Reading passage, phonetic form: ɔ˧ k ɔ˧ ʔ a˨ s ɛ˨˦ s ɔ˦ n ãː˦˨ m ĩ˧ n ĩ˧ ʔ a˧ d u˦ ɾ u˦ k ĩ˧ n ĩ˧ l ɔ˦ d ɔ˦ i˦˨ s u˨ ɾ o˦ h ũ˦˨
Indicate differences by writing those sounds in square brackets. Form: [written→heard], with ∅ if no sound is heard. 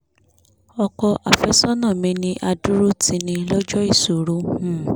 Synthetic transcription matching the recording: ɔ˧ k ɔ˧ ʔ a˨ [s→f] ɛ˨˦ s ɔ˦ n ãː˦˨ m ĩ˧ n ĩ˧ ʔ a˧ d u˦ ɾ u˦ [k→t] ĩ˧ n ĩ˧ l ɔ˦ [d→d͡ʒ] ɔ˦ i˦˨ s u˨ ɾ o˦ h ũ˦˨

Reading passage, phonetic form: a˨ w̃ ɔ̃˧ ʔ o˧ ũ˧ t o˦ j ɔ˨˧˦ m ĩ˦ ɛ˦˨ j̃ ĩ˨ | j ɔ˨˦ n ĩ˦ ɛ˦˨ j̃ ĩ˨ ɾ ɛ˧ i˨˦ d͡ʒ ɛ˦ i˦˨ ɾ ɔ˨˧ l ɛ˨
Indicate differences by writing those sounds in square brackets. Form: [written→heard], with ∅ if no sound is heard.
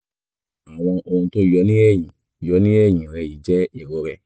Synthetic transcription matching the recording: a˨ w̃ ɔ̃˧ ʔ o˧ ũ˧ t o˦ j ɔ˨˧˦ [m→n] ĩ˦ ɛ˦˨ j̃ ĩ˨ | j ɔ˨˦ n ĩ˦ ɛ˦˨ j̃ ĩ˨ ɾ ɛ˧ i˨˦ d͡ʒ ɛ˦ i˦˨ ɾ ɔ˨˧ [l→ɾ] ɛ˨

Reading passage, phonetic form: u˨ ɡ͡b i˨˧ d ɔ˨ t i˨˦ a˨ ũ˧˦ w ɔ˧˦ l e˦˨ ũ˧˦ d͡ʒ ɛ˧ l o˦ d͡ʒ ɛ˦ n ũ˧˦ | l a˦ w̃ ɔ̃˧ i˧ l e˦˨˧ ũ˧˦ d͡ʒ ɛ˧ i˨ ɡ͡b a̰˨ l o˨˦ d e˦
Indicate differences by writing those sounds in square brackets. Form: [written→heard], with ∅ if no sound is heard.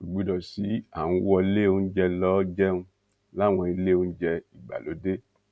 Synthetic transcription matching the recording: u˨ ɡ͡b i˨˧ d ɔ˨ [t→s] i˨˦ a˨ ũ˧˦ w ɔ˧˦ l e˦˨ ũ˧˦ d͡ʒ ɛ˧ l [o˦→ɔ˦] d͡ʒ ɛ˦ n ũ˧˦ | l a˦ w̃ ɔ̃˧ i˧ l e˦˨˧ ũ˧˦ d͡ʒ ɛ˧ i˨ ɡ͡b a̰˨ l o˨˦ d e˦

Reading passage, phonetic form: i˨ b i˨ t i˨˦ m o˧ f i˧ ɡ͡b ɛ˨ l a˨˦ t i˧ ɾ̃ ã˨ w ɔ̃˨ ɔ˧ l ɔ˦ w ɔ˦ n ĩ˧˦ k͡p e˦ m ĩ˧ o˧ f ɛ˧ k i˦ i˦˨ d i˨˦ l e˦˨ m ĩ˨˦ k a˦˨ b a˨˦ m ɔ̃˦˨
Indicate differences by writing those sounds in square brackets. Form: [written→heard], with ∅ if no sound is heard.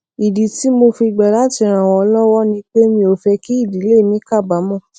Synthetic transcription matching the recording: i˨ [b→d] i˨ t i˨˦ m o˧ f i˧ ɡ͡b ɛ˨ l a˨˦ t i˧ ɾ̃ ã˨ w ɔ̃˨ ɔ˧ l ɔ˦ w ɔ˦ n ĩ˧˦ k͡p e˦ m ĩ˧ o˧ f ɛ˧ k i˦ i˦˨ d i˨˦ l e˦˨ m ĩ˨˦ k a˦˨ b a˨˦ m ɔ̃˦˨

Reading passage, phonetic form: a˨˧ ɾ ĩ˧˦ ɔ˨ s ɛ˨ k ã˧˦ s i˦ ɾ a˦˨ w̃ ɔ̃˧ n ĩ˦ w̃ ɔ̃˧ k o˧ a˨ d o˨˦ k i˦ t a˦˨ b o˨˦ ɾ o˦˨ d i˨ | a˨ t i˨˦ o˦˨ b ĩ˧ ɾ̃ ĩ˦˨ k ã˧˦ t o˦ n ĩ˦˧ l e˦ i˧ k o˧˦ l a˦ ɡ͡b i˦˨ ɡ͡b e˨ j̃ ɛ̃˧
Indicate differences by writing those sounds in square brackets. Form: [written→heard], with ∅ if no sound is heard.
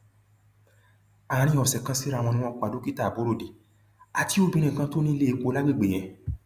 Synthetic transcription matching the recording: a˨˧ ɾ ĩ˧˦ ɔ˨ s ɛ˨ k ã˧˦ s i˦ ɾ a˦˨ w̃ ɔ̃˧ n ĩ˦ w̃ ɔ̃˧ k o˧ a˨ d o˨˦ k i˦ t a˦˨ b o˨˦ ɾ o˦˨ d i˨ | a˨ t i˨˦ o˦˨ b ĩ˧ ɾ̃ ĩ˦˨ k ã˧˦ t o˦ n ĩ˦˧ l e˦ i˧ k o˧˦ l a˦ ɡ͡b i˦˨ ɡ͡b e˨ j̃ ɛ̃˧

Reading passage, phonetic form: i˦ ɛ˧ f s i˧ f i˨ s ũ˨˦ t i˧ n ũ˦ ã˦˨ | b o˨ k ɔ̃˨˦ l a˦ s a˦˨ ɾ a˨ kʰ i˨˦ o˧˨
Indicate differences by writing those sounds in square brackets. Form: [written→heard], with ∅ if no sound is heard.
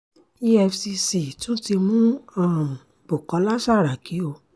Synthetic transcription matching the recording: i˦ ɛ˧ f s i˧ [f→s] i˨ [s→t] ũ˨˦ t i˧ [n→m] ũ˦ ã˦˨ | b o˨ k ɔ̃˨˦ l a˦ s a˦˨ ɾ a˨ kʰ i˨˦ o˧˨

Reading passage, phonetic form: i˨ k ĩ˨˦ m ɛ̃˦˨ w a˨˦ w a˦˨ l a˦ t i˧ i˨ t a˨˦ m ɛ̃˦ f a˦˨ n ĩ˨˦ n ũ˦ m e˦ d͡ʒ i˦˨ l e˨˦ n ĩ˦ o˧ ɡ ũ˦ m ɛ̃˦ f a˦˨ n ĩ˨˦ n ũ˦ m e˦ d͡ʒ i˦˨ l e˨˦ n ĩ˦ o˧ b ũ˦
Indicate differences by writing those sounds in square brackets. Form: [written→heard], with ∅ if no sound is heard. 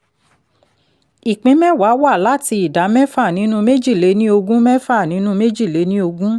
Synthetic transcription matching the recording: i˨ [k→k͡p] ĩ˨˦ m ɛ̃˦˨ w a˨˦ w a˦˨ l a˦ t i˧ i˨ [t→d] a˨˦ m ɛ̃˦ f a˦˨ n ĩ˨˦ n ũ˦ m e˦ d͡ʒ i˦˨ l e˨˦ n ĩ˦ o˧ ɡ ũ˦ m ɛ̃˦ f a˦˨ n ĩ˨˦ n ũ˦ m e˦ d͡ʒ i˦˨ l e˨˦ n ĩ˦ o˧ [b→ɡ] ũ˦

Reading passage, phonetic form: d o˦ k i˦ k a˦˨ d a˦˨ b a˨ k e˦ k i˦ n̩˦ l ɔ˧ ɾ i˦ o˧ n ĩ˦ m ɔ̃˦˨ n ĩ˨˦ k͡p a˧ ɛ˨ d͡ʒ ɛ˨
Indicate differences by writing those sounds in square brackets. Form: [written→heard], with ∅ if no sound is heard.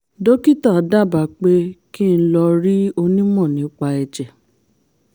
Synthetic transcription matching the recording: d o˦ k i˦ [k→t] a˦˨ d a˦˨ b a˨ [k→k͡p] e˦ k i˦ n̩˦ l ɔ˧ ɾ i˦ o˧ n ĩ˦ m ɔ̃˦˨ n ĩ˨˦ k͡p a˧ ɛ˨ d͡ʒ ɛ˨

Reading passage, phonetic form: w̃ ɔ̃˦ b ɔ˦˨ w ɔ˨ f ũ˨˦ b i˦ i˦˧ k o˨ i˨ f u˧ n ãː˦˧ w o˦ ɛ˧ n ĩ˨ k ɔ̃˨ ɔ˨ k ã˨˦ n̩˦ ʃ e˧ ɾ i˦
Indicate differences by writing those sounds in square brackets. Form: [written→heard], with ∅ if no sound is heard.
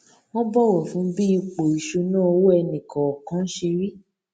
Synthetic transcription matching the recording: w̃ ɔ̃˦ b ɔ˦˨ w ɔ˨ f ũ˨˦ b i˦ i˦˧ [k→k͡p] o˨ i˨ [f→ʃ] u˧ n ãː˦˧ w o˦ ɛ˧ n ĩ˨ k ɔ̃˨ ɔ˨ k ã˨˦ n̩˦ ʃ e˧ ɾ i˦

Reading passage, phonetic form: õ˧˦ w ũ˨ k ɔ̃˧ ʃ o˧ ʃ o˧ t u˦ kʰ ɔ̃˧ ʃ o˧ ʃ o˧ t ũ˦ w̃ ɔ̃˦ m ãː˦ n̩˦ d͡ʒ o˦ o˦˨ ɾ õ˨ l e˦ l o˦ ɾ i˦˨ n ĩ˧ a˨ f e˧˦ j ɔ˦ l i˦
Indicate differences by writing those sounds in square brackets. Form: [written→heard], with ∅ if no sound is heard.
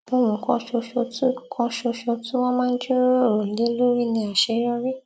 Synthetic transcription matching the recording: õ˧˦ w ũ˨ k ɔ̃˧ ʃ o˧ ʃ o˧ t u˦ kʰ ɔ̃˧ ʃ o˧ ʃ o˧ t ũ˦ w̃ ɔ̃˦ m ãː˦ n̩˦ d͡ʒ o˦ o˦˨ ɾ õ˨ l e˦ l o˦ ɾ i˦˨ n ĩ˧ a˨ [f→ʃ] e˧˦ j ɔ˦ [l→ɾ] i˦

